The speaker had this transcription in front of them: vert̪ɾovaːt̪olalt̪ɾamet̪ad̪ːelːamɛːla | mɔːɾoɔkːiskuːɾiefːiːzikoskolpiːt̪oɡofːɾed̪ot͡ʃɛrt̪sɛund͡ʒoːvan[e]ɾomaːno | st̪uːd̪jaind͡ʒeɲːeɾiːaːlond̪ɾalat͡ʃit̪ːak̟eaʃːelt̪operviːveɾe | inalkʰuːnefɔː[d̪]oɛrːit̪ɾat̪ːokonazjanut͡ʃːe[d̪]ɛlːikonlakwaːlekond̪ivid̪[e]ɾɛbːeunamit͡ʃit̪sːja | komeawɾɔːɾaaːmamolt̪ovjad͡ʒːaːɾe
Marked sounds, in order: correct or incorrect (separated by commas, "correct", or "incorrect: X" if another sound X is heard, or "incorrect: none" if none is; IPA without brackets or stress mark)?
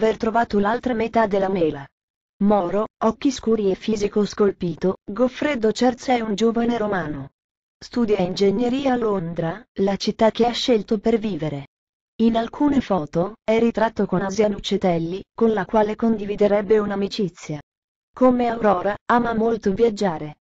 correct, incorrect: t̪, incorrect: t̪, correct